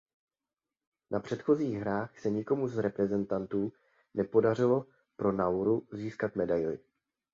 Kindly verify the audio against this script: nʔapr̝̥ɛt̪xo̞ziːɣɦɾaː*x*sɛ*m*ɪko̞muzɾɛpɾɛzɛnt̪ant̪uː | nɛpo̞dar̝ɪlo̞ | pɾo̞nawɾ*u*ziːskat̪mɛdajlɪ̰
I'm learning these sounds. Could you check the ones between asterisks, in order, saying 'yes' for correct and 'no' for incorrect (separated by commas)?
yes, no, yes